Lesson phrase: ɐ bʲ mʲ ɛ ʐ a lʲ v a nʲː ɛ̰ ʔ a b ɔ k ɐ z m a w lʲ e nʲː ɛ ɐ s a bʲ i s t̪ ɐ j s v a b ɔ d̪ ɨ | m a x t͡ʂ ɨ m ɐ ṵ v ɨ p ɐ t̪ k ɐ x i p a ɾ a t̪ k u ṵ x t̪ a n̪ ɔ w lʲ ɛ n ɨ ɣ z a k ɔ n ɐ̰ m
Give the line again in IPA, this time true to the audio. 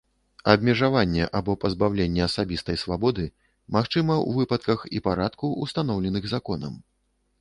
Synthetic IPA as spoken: ɐ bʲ mʲ ɛ ʐ a v a nʲː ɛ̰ ʔ a b ɔ p ɐ z b a w lʲ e nʲː ɛ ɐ s a bʲ i s t̪ ɐ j s v a b ɔ d̪ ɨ | m a x t͡ʂ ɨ m ɐ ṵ v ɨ p ɐ t̪ k ɐ x i p a ɾ a t̪ k u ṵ s t̪ a n̪ ɔ w lʲ ɛ n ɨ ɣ z a k ɔ n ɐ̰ m